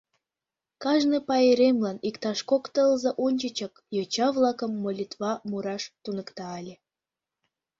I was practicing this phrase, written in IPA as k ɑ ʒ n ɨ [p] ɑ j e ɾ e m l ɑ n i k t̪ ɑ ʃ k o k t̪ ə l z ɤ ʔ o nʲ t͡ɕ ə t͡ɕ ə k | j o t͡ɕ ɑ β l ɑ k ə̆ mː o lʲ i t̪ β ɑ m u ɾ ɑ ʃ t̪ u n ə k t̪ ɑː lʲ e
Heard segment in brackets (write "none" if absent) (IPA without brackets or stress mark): p